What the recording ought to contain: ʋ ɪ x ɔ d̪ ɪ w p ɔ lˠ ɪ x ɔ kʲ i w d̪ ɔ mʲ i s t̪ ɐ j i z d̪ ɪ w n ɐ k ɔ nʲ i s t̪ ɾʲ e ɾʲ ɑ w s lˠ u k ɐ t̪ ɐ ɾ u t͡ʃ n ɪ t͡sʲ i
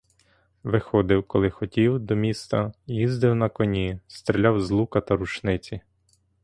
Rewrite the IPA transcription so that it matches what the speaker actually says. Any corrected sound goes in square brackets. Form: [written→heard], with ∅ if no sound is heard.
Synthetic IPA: ʋ ɪ x ɔ d̪ ɪ w [p→k] ɔ lˠ ɪ x ɔ [kʲ→tʲ] i w d̪ ɔ mʲ i s t̪ ɐ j i z d̪ ɪ w n ɐ k ɔ nʲ i s t̪ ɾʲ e [ɾʲ→lʲ] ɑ w [s→z] lˠ u k ɐ t̪ ɐ ɾ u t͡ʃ n ɪ t͡sʲ i